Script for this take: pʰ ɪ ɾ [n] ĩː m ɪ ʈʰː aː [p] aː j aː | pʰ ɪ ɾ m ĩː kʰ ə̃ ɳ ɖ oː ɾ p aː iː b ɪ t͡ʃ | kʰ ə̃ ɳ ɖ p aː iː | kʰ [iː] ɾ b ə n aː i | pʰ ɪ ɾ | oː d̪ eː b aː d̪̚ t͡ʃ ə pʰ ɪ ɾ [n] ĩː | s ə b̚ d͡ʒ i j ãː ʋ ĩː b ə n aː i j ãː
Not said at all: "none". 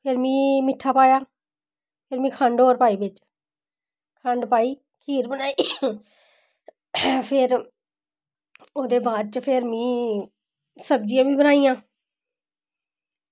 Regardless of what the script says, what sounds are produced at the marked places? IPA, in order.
m, p, iː, m

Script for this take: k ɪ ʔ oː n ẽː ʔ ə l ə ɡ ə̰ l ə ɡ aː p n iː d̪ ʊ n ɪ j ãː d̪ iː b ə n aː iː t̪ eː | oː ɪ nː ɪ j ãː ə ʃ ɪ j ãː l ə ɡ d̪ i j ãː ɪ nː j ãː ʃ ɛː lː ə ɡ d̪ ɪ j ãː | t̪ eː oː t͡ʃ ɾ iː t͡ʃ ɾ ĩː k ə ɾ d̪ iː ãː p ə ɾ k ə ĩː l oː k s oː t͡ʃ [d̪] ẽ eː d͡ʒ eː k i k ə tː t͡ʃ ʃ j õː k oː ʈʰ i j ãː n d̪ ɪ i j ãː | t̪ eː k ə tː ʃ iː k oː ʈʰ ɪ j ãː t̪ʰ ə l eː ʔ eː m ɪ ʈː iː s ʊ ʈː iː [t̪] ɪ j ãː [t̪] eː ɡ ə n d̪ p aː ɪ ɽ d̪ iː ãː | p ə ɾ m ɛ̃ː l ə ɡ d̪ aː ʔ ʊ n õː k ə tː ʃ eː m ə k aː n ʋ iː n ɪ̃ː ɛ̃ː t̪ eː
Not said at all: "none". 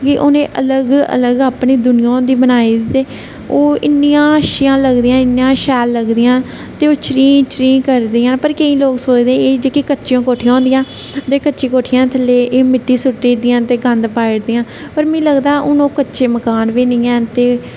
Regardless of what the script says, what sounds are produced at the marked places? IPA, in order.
d̪, d̪, t̪

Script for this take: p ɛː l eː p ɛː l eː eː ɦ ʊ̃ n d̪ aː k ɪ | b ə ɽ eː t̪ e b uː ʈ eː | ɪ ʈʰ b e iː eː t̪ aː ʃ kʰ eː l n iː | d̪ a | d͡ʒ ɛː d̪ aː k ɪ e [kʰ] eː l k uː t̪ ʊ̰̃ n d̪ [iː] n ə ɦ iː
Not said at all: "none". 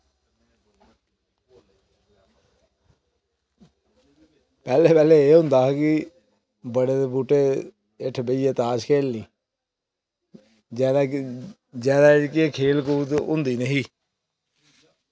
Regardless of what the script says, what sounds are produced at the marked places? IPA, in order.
kʰ, iː

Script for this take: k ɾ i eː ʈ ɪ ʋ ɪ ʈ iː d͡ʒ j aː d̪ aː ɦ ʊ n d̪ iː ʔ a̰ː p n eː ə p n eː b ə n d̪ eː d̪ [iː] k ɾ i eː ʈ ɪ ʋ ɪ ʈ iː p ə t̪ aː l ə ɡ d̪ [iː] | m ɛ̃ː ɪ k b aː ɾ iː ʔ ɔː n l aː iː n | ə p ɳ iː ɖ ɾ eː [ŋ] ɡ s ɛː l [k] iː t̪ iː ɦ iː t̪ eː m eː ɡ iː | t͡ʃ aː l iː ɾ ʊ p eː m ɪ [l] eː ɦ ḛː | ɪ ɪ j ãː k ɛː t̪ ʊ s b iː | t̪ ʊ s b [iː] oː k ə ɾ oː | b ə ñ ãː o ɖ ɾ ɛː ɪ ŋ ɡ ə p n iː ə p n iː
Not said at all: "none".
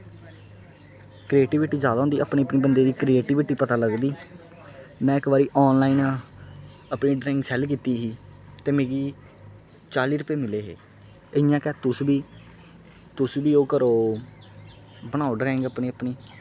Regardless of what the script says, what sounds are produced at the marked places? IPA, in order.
iː, iː, ŋ, k, l, iː

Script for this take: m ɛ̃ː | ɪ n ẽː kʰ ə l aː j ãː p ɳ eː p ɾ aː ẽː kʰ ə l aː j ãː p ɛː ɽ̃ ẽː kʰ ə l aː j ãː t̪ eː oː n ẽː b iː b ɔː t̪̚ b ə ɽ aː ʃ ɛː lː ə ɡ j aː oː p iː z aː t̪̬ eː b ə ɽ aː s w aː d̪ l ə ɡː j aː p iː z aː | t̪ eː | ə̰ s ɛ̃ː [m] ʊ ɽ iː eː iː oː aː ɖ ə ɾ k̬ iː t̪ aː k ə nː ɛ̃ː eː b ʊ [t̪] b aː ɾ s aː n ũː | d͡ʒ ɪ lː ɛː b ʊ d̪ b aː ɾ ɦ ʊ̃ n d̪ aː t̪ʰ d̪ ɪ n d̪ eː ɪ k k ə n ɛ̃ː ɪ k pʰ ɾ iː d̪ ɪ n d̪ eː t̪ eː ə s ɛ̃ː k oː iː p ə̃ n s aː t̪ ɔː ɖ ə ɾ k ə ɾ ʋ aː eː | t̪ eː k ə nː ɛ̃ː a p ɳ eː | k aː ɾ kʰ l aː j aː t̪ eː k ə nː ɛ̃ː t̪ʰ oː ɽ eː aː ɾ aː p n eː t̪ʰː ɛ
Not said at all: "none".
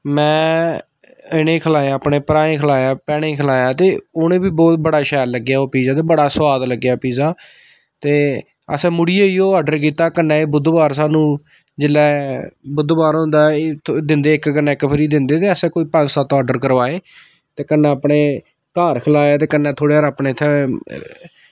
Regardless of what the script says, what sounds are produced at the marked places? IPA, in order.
m, d̪

